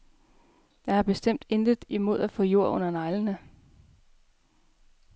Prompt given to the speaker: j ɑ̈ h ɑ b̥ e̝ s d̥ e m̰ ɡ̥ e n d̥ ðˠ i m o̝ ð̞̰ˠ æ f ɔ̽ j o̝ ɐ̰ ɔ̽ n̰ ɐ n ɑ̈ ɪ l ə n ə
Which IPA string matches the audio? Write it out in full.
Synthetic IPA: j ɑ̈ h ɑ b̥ e̝ s d̥ e m̰ d̥ e n d̥ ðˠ i m o̝ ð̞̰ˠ æ f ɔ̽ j o̝ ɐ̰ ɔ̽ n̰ ɐ n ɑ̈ ɪ l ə n ə

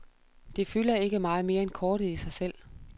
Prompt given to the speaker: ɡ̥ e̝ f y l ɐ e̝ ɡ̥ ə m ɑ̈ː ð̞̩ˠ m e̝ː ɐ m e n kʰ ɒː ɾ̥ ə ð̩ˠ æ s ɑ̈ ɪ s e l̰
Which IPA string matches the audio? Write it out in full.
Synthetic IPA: d̥ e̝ f y l ɐ e̝ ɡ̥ ə m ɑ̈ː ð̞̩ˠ m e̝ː ɐ e n kʰ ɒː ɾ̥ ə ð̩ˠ i s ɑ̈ ɪ s e l̰

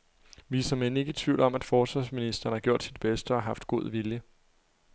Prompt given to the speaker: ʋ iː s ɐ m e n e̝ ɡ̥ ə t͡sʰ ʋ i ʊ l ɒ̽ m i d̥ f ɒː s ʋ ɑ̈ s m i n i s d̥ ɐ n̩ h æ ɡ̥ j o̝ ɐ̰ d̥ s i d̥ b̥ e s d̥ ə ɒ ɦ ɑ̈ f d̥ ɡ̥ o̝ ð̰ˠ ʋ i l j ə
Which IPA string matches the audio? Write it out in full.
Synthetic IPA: ʋ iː s ɐ m e n e̝ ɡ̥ ə t͡sʰ ʋ i ʊ l ɒ̽ m æ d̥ f ɒː s ʋ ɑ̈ s m i n i s d̥ ɐ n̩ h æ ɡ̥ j o̝ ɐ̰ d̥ s i d̥ b̥ e s d̥ ə ɒ ɦ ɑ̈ f d̥ ɡ̥ o̝ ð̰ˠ ʋ i l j ə

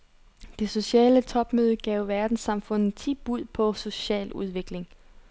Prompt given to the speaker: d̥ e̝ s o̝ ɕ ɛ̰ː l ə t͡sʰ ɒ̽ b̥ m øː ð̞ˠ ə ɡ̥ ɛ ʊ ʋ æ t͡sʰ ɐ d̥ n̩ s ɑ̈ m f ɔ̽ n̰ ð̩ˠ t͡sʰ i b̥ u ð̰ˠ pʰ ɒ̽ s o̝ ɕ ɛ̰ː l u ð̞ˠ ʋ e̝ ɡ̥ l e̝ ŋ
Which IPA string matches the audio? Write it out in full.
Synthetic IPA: d̥ e̝ s o̝ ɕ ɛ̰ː l ə t͡sʰ ɒ̽ b̥ m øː ð̞ˠ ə ɡ̥ ɛ ʊ ʋ æ ɐ d̥ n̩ s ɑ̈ m f ɔ̽ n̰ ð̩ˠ t͡sʰ i b̥ u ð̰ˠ pʰ ɒ̽ s o̝ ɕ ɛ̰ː l u ð̞ˠ ʋ e̝ ɡ̥ l e̝ ŋ

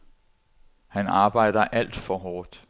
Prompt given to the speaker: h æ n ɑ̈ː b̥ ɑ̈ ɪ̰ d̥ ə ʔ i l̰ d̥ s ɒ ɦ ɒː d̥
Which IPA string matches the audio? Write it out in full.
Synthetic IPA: h æ n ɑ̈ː b̥ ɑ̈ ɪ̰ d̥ ɐ ʔ æ l̰ d̥ f ɒ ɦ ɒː d̥

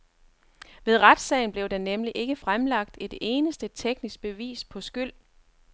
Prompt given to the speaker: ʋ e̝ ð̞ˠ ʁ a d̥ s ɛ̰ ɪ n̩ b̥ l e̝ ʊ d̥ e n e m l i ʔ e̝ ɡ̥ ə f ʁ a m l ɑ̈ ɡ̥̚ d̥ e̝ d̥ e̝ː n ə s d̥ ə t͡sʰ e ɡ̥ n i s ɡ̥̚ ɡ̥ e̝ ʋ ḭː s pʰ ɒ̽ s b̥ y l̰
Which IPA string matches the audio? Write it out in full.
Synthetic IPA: ʋ e̝ ð̞ˠ ʁ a d̥ s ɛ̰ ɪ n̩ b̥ l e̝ ʊ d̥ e n e m l i ʔ e̝ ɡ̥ ə f ʁ a m l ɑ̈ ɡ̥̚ d̥ e̝ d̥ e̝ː n ə s d̥ ə t͡sʰ e ɡ̥ n i s ɡ̥̚ b̥ e̝ ʋ ḭː s pʰ ɒ̽ s ɡ̥ y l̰

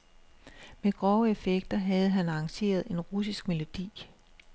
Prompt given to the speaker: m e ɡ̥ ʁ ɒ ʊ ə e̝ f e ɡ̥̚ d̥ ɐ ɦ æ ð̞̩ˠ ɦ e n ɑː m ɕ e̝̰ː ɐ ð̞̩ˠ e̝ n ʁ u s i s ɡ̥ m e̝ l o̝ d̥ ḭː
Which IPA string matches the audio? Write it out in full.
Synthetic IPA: m e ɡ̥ ʁ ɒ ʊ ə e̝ f e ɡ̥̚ d̥ ɐ ɦ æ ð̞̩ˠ ɦ æ n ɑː ŋ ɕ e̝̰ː ɐ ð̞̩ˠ e̝ n ʁ u s i s ɡ̥ m e̝ l o̝ d̥ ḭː

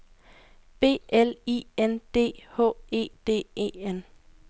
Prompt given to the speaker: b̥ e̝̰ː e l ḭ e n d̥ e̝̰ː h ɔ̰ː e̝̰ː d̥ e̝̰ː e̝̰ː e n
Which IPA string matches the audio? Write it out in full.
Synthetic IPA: b̥ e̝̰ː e l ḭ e n d̥ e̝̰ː h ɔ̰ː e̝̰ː d̥ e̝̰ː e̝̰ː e n

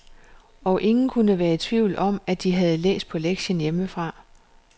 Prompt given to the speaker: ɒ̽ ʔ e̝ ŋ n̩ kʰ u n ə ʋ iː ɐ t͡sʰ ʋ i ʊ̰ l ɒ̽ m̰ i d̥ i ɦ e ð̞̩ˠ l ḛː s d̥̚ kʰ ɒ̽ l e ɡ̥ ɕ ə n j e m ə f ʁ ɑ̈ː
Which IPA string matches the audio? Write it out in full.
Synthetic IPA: ɒ̽ ʔ e̝ ŋ n̩ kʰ u n ə ʋ æː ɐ t͡sʰ ʋ i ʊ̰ l ɒ̽ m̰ æ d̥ i ɦ æ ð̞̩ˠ l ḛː s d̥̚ pʰ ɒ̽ l e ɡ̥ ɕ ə n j e m ə f ʁ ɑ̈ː

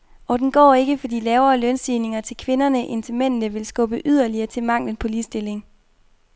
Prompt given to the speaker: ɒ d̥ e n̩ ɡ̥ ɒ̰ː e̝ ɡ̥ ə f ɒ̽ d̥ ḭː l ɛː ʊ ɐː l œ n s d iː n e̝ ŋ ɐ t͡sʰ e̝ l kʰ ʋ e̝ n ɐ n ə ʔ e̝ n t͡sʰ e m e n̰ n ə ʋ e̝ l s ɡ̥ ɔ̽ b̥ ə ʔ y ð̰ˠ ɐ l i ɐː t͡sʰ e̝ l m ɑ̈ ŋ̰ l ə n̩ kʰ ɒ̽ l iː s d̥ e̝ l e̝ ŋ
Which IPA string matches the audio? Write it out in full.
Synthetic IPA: ɒ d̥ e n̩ ɡ̥ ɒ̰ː e̝ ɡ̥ ə f ɒ̽ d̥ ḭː l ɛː ʊ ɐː l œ n s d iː n e̝ ŋ ɐ t͡sʰ e̝ l kʰ ʋ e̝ n ɐ n ə ʔ e̝ n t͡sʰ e m e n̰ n ə ʋ e̝ l s ɡ̥ ɔ̽ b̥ ə ʔ y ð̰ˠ ɐ l i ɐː t͡sʰ e̝ l m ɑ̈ ŋ̰ l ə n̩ pʰ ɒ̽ l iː s d̥ e̝ l e̝ ŋ

